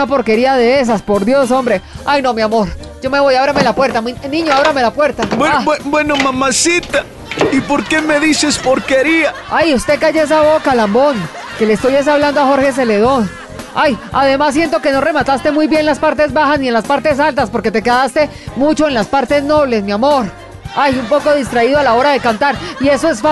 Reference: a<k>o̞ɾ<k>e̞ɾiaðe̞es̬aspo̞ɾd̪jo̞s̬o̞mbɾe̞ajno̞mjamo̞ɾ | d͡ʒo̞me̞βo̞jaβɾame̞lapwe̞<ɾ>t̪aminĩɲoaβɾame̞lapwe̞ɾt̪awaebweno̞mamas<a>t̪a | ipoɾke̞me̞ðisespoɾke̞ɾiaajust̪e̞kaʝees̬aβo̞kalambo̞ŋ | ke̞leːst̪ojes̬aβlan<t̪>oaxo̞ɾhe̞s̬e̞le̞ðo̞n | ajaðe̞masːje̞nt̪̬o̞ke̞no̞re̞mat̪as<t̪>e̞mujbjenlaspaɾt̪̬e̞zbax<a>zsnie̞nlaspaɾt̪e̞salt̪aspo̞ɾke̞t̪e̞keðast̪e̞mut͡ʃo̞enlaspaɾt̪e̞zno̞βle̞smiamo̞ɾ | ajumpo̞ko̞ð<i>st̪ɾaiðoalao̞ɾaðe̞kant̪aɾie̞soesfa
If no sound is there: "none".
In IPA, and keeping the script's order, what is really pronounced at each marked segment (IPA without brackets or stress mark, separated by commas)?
p, k, ɾ, i, d̪, t̪, a, i